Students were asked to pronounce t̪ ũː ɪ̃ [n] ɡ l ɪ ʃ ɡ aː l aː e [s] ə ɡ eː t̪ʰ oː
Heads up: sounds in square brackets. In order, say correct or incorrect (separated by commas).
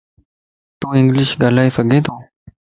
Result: incorrect, correct